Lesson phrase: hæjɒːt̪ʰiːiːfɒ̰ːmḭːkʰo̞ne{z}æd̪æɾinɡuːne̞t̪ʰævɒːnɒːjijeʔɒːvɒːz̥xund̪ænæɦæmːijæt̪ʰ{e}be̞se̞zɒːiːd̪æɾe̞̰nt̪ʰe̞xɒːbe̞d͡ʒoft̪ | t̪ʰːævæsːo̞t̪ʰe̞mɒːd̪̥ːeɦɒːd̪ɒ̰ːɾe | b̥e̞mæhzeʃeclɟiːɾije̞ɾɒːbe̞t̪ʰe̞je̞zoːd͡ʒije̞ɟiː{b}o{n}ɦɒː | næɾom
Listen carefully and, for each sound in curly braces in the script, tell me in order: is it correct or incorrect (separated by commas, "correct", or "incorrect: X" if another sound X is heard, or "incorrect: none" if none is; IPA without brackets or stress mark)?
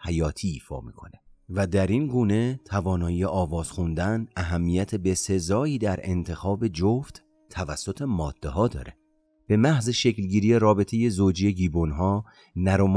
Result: incorrect: v, correct, correct, correct